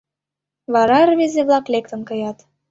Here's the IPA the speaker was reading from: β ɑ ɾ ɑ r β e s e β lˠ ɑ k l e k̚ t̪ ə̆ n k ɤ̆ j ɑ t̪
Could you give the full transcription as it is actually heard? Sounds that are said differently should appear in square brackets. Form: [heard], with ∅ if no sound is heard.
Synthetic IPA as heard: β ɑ ɾ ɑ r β e [z] e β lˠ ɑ k l e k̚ t̪ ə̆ n k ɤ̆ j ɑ t̪